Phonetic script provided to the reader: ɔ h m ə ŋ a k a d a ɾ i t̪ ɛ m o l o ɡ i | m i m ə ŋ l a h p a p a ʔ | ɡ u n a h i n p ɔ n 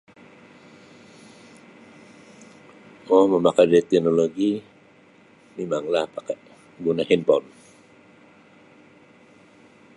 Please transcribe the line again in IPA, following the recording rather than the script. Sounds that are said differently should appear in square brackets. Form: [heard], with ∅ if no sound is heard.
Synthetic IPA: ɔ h m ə [m] a k a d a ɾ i t̪ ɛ [n] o l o ɡ i | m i m [a] ŋ l a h p a [k] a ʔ | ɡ u n a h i n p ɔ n